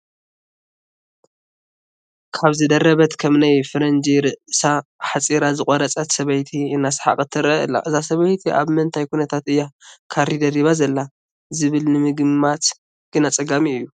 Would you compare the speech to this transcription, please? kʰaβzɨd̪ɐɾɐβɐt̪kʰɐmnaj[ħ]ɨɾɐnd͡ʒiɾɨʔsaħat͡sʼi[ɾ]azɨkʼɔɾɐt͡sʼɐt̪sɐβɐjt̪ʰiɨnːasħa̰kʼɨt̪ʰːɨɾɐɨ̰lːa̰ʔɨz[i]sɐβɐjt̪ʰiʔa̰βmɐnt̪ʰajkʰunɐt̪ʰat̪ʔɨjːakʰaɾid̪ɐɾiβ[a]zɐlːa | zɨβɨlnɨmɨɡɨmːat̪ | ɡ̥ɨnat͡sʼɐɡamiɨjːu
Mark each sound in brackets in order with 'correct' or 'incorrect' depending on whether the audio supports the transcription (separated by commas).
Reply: incorrect, correct, incorrect, correct